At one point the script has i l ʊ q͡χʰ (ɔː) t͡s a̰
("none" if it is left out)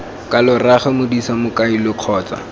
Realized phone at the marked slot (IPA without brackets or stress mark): ɔː